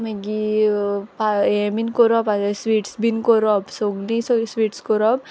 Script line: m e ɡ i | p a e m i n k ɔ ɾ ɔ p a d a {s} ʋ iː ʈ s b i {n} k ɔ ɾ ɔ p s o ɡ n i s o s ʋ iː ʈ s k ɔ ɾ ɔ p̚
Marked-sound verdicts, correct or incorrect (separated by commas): correct, correct